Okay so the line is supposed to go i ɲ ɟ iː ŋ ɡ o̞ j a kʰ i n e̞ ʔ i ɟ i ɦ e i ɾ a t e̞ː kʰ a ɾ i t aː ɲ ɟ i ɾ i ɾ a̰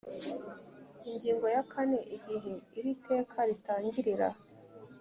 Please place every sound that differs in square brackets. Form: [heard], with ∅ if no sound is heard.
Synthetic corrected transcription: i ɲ ɟ iː ŋ ɡ o̞ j a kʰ [a] n e̞ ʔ i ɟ i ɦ e i ɾ [i] t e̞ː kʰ a ɾ i t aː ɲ ɟ i ɾ i ɾ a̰